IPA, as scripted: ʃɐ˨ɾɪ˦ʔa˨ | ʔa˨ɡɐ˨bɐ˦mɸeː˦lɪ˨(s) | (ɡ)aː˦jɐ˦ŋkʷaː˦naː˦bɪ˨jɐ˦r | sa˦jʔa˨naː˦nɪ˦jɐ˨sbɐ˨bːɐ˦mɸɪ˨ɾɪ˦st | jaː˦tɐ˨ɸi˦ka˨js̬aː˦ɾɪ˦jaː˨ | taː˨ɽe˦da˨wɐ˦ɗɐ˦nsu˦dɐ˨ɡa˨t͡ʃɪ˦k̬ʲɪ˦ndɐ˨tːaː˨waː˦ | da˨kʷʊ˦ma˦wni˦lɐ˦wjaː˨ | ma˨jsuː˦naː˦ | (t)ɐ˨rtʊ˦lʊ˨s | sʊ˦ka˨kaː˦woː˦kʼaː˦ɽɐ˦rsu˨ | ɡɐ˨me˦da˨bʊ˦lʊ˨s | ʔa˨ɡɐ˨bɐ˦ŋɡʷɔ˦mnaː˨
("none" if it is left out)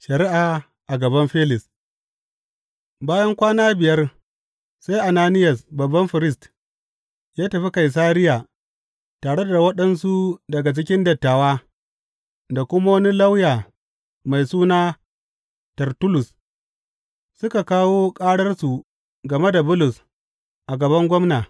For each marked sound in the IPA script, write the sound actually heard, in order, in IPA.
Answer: s, b, t

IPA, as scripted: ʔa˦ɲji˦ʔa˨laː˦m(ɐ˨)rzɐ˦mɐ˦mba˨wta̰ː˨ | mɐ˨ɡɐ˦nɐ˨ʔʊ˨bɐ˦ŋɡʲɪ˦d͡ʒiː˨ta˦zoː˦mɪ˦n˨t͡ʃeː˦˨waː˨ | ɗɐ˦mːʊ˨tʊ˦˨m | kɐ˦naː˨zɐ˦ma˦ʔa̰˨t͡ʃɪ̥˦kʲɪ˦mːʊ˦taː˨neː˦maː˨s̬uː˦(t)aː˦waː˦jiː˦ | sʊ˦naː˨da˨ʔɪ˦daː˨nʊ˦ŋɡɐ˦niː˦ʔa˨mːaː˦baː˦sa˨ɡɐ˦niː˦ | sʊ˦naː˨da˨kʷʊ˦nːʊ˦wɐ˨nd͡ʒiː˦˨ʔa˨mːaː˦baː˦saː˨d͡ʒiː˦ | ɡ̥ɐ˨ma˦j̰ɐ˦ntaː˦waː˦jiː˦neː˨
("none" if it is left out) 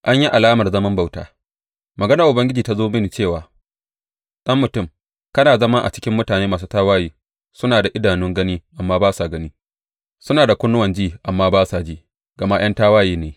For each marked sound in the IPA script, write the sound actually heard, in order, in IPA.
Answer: ɐ˨, t

